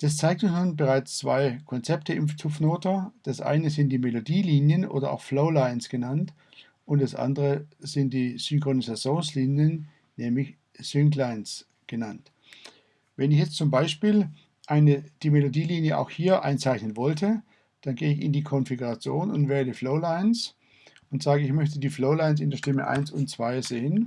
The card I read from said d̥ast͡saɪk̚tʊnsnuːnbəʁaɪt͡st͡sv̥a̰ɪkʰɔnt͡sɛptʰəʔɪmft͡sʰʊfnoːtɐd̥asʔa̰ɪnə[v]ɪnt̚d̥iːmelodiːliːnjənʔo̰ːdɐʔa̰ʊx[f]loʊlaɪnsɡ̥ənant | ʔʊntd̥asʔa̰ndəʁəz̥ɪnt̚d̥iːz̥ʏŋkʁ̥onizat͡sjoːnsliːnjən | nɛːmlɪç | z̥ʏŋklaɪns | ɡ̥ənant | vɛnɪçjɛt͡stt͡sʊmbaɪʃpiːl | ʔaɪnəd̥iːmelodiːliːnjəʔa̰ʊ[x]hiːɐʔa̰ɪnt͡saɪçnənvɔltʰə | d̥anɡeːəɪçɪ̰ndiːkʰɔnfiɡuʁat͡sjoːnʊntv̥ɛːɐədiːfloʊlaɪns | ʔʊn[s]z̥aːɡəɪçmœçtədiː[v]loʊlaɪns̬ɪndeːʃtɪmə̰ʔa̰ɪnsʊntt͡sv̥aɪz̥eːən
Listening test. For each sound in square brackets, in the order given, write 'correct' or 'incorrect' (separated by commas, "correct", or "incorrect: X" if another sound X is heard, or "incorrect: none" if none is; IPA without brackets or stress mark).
incorrect: z, correct, correct, incorrect: t, incorrect: f